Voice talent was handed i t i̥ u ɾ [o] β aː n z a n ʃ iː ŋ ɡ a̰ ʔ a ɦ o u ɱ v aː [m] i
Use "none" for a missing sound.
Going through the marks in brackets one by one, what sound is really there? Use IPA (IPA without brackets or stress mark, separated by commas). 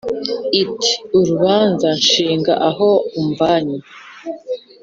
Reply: u, ɲ